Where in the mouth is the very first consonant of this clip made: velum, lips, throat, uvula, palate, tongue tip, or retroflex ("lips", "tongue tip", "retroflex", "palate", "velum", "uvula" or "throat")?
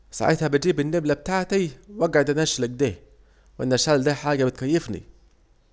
tongue tip